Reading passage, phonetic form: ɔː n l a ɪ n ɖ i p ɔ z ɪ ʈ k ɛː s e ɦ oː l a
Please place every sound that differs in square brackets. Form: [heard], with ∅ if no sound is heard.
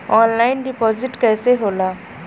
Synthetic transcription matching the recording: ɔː n l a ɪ n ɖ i p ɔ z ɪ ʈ k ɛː s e ɦ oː l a